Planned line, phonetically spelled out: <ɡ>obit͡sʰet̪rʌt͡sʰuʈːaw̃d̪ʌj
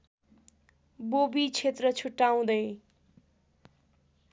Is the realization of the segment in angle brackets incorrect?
yes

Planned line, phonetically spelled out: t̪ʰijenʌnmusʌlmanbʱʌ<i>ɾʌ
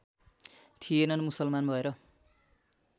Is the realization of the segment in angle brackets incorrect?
yes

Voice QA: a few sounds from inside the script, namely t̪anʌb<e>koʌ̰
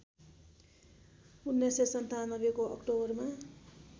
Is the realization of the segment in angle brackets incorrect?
no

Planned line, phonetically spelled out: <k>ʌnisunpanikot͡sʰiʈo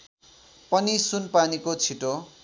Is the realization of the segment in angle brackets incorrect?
yes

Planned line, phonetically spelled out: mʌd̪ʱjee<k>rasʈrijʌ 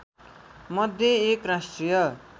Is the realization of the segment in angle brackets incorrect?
no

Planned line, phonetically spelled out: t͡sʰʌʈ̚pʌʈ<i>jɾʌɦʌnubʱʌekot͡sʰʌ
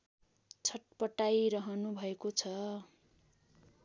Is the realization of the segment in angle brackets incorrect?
yes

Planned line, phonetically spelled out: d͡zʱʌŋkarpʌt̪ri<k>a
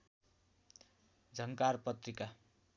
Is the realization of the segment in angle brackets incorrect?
no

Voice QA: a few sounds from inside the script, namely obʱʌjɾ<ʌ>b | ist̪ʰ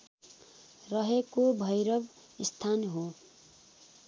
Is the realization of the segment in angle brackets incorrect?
no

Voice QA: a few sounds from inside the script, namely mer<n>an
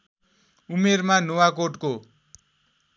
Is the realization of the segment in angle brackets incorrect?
yes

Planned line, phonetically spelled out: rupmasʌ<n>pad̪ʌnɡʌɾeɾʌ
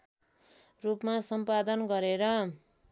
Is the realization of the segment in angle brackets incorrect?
yes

